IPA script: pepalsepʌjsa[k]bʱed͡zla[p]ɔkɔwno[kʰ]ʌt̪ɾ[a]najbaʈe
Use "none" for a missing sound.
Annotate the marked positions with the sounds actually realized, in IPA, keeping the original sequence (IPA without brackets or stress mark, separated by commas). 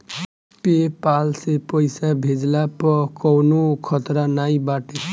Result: none, p, kʰ, a